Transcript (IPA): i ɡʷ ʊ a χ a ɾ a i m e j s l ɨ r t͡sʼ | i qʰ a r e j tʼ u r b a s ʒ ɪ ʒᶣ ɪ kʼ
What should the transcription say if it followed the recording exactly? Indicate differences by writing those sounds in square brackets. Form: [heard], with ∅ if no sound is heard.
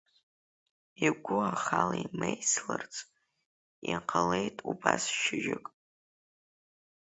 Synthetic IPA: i ɡʷ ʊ a χ a [l] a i m e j s l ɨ r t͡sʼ | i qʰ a [l] e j tʼ u [∅] b a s [ʃ] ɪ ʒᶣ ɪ kʼ